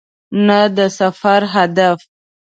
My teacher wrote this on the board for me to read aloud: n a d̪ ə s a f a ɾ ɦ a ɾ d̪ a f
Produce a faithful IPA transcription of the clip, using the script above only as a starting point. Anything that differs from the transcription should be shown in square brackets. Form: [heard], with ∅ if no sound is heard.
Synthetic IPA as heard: n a d̪ ə s a f a ɾ ɦ a [∅] d̪ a f